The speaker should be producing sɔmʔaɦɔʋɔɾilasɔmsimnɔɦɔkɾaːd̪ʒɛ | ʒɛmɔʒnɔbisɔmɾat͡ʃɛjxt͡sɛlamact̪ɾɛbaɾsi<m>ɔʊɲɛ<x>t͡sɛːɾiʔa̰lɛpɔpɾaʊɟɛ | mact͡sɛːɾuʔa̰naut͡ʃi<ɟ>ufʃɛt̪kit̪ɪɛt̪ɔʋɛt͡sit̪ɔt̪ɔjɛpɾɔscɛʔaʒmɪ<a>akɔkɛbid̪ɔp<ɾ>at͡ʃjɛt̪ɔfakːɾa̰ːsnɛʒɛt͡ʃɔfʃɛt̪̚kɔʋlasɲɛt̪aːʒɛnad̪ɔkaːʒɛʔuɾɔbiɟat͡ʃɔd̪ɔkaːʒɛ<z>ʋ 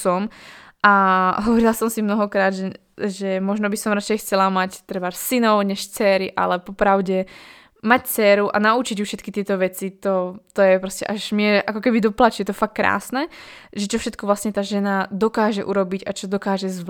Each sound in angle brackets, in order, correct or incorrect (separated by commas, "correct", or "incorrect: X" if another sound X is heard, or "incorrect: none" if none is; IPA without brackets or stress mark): incorrect: n, incorrect: ʃ, correct, incorrect: ɛ, incorrect: l, correct